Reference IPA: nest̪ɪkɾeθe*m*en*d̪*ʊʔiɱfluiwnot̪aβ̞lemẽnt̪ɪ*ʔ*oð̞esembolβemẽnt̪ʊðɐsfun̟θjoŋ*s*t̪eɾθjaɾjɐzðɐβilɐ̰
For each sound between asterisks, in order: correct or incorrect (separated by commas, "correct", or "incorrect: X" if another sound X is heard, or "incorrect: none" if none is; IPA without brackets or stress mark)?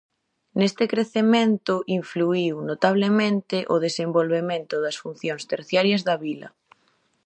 correct, incorrect: t̪, correct, correct